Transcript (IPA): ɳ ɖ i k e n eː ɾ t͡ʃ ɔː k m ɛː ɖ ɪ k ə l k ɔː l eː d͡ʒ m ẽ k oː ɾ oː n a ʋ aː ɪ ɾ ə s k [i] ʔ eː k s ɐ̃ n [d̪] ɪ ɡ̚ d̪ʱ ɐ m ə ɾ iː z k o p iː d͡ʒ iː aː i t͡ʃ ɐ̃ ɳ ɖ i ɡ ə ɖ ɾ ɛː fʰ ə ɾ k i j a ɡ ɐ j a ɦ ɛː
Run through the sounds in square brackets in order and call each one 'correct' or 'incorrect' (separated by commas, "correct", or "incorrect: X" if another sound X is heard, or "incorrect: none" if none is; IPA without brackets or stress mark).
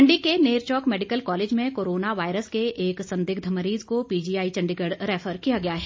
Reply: incorrect: e, correct